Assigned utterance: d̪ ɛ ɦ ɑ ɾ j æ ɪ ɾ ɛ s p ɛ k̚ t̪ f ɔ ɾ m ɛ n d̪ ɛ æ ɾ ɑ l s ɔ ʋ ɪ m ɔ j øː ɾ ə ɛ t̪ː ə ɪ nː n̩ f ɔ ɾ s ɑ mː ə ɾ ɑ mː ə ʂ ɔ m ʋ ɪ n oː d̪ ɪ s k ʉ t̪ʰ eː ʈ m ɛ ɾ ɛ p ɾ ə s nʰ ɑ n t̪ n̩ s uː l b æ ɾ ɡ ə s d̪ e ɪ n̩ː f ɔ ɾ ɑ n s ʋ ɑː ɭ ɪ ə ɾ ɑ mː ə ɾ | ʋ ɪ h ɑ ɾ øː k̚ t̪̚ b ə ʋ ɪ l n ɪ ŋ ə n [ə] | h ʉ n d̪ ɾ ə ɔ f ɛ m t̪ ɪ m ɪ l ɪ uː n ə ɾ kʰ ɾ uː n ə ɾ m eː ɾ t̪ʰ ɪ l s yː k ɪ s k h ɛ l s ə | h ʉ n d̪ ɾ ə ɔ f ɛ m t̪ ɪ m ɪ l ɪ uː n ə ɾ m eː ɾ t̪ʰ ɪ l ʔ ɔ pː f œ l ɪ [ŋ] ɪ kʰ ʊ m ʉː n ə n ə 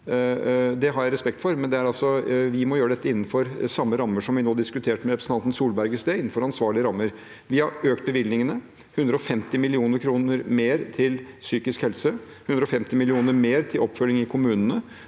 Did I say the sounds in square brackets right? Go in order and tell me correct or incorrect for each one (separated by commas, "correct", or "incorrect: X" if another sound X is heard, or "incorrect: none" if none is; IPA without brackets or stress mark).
correct, correct